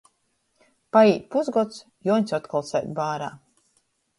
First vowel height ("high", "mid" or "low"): low